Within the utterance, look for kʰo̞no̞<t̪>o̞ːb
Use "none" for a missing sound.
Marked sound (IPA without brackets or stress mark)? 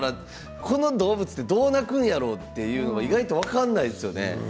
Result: d̪